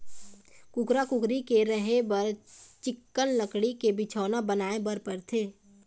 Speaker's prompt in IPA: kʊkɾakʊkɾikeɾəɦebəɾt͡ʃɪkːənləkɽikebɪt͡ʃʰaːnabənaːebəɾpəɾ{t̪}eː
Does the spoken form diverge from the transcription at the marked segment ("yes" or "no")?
yes